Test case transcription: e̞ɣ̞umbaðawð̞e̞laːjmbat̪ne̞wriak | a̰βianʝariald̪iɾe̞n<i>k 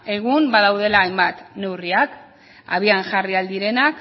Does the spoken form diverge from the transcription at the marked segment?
yes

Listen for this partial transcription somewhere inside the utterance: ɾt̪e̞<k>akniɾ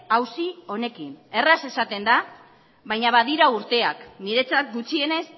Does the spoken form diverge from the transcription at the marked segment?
yes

